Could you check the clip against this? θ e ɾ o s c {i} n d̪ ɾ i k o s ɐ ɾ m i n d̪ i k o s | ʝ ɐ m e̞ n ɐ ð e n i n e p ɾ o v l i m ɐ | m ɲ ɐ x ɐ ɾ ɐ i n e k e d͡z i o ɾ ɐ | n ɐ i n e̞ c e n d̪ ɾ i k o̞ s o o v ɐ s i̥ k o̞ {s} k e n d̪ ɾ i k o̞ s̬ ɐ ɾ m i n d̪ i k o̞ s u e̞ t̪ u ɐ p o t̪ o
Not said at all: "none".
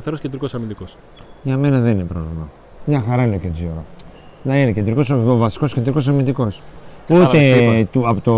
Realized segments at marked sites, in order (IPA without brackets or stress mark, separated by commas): e, s